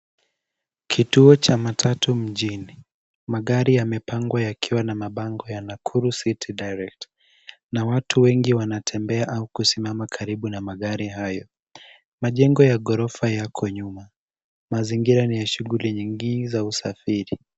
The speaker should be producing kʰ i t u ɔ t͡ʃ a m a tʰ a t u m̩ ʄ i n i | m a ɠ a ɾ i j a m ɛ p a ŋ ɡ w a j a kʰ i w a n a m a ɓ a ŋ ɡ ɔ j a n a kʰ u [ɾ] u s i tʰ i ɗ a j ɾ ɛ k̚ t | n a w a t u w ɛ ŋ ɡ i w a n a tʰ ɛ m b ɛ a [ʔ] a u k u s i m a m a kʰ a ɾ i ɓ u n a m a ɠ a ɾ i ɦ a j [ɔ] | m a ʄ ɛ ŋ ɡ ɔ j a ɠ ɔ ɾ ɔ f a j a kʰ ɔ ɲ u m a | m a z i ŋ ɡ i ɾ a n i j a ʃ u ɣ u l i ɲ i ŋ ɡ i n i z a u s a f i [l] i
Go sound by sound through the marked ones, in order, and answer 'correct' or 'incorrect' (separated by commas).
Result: correct, correct, correct, incorrect